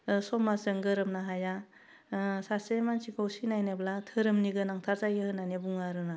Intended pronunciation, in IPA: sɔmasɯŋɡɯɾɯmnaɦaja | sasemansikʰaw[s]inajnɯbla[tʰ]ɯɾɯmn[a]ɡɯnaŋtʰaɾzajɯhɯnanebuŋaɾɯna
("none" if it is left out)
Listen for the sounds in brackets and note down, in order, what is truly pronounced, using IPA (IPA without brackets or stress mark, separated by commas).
s, tʰ, i